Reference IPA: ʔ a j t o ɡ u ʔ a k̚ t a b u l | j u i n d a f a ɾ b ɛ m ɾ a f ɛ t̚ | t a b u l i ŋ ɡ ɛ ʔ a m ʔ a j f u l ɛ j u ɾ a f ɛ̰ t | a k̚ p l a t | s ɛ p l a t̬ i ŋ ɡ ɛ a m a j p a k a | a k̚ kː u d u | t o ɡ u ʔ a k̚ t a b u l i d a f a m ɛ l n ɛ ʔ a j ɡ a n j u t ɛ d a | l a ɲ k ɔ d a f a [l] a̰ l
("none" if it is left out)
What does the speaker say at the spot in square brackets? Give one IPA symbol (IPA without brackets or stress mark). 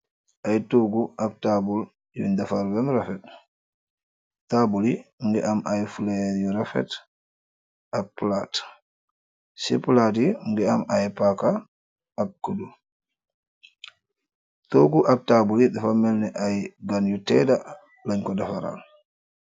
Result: ɾ